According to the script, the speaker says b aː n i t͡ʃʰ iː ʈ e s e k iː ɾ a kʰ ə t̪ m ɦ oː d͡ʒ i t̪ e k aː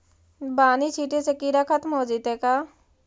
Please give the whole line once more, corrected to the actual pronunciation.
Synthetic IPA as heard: b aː n i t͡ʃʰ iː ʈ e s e k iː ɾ a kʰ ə t̪ m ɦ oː d͡ʒ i t̪ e k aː

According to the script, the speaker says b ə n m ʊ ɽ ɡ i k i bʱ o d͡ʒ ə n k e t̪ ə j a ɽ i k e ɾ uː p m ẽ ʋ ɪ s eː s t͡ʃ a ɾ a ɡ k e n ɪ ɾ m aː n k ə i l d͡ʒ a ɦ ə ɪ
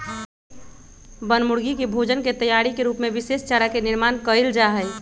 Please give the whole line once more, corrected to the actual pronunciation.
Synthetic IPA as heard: b ə n m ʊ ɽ ɡ i k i bʱ o d͡ʒ ə n k e t̪ ə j a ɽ i k e ɾ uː p m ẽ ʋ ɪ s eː s t͡ʃ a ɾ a k e n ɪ ɾ m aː n k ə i l d͡ʒ a ɦ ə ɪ

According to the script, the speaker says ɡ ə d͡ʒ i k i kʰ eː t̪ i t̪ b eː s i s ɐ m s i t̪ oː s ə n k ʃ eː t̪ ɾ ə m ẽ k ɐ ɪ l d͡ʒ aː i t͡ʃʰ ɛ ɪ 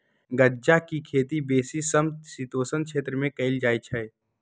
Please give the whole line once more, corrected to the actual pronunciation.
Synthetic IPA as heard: ɡ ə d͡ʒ a k i kʰ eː t̪ i b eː s i s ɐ m s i t̪ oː s ə n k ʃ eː t̪ ɾ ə m ẽ k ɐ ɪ l d͡ʒ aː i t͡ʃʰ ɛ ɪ

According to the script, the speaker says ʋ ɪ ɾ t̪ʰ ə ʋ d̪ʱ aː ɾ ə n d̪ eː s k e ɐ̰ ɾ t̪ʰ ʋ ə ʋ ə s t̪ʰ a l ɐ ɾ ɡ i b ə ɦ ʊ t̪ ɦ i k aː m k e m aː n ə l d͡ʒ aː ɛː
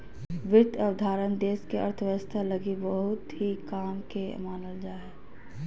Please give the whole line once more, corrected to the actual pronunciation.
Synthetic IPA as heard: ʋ ɪ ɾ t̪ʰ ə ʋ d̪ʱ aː ɾ ə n d̪ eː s k e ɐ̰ ɾ t̪ʰ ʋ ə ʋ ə s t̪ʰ a l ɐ ɡ i b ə ɦ ʊ t̪ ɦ i k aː m k e m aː n ə l d͡ʒ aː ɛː

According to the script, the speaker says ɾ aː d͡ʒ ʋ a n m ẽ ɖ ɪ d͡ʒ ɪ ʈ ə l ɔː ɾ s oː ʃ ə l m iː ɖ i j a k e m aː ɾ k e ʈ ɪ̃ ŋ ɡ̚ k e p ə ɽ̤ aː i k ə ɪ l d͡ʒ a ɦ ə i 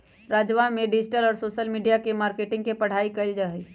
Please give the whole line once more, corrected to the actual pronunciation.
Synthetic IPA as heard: ɾ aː d͡ʒ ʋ a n m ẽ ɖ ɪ d͡ʒ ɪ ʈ ə l ɔː ɾ s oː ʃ ə l m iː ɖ i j a k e m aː ɾ k e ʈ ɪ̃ ŋ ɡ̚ k e p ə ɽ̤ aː i k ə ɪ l d͡ʒ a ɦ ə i

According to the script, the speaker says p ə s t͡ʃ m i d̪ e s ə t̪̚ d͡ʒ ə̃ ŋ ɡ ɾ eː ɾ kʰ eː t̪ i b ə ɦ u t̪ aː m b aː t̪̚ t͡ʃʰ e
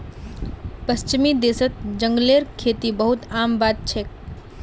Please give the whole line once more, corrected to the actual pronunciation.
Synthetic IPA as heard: p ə s t͡ʃ m i d̪ e s ə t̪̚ d͡ʒ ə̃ ŋ ɡ l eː ɾ kʰ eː t̪ i b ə ɦ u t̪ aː m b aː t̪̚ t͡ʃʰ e

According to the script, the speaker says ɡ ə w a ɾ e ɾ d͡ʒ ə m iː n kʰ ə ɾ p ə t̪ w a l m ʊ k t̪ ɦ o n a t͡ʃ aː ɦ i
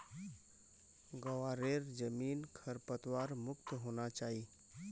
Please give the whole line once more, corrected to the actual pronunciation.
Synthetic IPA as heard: ɡ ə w a ɾ e ɾ d͡ʒ ə m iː n kʰ ə ɾ p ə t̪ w a ɾ m ʊ k t̪ ɦ o n a t͡ʃ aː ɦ i

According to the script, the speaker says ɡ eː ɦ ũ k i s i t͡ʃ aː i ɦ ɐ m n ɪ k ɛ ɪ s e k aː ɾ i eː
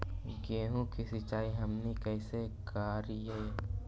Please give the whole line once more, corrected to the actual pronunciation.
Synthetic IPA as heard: ɡ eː ɦ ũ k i s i t͡ʃ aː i ɦ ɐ m n i k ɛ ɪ s e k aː ɾ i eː

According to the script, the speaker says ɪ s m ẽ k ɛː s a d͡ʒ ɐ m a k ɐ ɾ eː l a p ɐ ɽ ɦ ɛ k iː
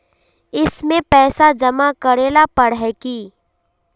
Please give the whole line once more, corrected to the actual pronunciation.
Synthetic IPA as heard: ɪ s m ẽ p ɛː s a d͡ʒ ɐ m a k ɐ ɾ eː l a p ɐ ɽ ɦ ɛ k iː

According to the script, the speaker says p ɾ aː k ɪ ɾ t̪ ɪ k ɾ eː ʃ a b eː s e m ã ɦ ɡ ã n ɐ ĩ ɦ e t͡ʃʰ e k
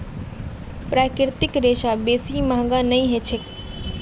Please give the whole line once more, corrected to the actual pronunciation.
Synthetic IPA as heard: p ɾ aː k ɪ ɾ t̪ ɪ k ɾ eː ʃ a b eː s i m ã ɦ ɡ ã n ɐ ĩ ɦ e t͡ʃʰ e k

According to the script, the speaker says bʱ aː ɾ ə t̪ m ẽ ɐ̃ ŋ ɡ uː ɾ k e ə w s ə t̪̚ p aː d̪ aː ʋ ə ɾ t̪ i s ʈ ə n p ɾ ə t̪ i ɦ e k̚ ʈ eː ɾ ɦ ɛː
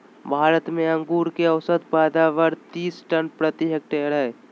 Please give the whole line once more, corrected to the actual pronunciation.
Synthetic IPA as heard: bʱ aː ɾ ə t̪ m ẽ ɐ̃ ŋ ɡ uː ɾ k e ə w s ə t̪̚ p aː d̪ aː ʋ ə ɾ t̪ iː s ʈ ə n p ɾ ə t̪ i ɦ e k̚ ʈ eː ɾ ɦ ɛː

